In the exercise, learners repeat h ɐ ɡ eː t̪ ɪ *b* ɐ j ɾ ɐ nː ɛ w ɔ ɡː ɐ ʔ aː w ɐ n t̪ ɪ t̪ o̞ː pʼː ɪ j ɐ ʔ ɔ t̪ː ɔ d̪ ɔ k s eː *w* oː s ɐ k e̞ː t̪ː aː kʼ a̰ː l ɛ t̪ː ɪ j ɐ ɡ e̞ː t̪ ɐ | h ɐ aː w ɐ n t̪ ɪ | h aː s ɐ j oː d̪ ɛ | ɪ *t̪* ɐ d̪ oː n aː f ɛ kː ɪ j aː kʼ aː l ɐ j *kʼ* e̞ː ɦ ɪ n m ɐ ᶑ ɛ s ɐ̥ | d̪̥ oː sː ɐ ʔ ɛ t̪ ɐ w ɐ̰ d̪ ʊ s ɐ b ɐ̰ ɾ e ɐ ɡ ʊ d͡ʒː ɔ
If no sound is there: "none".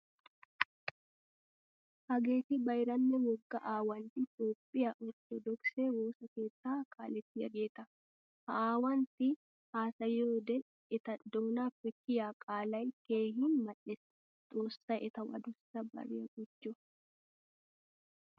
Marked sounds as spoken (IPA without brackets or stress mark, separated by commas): b, w, t̪, k